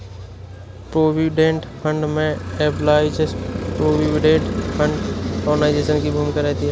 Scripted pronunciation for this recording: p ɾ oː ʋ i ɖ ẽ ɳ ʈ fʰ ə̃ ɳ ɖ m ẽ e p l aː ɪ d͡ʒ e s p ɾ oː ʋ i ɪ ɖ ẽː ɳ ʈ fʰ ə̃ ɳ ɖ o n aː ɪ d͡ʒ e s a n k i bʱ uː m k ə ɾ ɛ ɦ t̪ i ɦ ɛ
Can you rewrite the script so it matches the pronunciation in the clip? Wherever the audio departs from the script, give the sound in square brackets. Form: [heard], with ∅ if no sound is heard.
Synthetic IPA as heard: p ɾ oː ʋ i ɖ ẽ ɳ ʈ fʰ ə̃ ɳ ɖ m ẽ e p l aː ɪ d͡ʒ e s p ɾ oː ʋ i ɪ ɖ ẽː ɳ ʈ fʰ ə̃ ɳ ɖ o n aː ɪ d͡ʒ e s [ə] n k i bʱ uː m k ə ɾ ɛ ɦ t̪ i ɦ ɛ

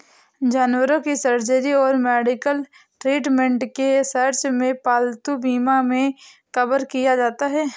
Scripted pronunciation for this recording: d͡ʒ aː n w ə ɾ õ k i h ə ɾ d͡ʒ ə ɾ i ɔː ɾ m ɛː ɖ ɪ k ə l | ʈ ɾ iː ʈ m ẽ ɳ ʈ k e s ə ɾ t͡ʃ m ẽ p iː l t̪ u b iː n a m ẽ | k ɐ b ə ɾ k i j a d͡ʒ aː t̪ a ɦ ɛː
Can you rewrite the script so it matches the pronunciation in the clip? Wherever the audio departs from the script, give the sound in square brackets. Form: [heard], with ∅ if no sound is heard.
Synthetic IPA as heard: d͡ʒ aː n w ə ɾ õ k i [s] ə ɾ d͡ʒ ə ɾ i ɔː ɾ m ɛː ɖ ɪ k ə l | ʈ ɾ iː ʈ m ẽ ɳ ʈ k e s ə ɾ t͡ʃ m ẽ p [aː] l t̪ u b iː [m] a m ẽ | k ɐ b ə ɾ k i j a d͡ʒ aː t̪ a ɦ ɛː

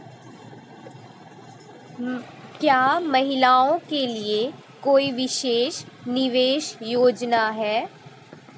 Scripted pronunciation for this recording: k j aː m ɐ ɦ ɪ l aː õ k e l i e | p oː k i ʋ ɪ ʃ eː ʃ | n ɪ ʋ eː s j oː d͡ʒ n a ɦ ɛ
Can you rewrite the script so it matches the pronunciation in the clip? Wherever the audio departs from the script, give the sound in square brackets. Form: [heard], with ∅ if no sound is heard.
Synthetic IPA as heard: k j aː m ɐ ɦ ɪ l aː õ k e l i e | [k] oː [∅] i ʋ ɪ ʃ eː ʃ | n ɪ ʋ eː [ʃ] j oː d͡ʒ n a ɦ [ɛː]

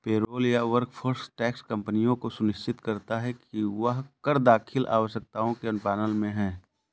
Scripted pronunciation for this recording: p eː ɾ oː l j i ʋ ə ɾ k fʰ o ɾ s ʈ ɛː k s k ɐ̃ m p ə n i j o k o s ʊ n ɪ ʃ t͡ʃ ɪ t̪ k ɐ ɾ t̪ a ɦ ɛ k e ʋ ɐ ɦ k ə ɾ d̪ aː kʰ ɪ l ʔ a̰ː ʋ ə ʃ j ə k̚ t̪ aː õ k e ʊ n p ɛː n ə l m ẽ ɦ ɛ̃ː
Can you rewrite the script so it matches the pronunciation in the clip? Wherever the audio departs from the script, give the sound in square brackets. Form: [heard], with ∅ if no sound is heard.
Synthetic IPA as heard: p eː ɾ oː l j [a] ʋ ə ɾ k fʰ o ɾ s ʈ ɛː k s k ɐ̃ m p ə n i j [õ] k o s ʊ n ɪ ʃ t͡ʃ ɪ t̪ k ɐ ɾ t̪ a ɦ ɛ k [i] ʋ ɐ ɦ k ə ɾ d̪ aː kʰ ɪ l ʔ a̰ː ʋ ə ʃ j ə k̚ t̪ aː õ k e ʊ n p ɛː n ə l m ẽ ɦ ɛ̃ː

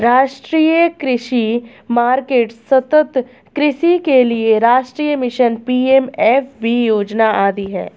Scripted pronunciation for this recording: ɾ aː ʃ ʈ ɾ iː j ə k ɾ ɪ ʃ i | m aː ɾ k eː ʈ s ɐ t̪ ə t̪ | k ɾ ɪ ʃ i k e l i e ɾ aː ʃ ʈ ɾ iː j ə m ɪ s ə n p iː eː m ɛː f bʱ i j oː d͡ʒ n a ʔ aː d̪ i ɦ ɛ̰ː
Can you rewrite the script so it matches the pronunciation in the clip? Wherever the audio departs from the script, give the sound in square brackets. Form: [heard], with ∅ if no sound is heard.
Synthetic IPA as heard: ɾ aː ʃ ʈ ɾ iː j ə k ɾ ɪ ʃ i | m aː ɾ k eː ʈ s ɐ t̪ ə t̪ | k ɾ ɪ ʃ i k e l i e ɾ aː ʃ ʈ ɾ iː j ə m ɪ [ʃ] ə n p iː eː m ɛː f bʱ i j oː d͡ʒ n a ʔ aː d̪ i ɦ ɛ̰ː

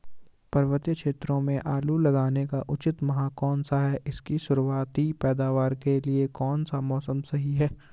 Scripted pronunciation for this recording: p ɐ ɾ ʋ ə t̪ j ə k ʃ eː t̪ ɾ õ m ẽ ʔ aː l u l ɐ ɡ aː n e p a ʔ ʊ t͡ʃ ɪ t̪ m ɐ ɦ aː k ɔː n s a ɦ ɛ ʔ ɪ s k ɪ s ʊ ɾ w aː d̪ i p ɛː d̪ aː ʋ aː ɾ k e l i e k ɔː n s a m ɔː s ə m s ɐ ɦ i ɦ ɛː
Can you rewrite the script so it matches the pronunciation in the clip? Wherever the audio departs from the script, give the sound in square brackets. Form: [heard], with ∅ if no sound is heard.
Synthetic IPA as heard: p ɐ ɾ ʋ ə t̪ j ə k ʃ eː t̪ ɾ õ m ẽ ʔ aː l u l ɐ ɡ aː n e [k] a ʔ ʊ t͡ʃ ɪ t̪ m ɐ ɦ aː k ɔː n s a ɦ ɛ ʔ ɪ s k [i] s ʊ ɾ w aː [t̪] i p ɛː d̪ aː ʋ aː ɾ k e l i e k ɔː n s a m ɔː s ə m s ɐ ɦ i ɦ ɛː

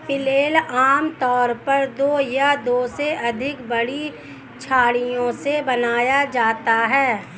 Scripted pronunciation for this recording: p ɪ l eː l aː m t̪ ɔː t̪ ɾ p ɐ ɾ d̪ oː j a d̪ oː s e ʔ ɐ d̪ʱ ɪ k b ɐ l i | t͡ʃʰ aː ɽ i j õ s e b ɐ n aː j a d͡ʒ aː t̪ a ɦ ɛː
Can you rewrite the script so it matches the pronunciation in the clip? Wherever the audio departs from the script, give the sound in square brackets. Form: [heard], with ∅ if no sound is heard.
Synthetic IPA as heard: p ɪ l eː l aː m t̪ ɔː [∅] ɾ p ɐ ɾ d̪ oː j a d̪ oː s e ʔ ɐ d̪ʱ ɪ k b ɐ [ɽ] i | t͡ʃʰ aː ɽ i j õ s e b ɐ n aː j a d͡ʒ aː t̪ a ɦ ɛː

